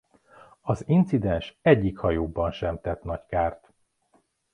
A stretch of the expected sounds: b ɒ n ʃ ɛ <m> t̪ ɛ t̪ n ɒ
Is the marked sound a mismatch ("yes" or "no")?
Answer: no